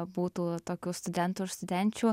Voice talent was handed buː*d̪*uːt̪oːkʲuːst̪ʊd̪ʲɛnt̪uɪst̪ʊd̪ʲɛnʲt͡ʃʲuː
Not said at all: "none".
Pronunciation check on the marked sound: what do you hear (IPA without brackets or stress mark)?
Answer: t̪